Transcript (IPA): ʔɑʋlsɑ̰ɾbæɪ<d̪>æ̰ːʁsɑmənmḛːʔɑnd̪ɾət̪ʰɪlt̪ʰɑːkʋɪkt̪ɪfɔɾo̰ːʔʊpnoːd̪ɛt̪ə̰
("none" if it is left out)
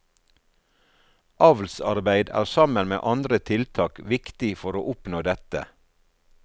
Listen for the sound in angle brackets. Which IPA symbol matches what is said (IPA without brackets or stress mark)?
d̪